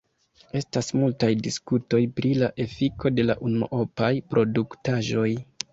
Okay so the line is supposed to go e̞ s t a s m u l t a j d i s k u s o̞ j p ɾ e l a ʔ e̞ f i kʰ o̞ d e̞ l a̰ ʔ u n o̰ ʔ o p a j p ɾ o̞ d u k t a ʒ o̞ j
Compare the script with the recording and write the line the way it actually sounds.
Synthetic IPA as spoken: e̞ s t a s m u l t a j d i s k u t o̞ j p ɾ i l a ʔ e̞ f i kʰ o̞ d e̞ l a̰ ʔ u n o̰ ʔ o p a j p ɾ o̞ d u k t a ʒ o̞ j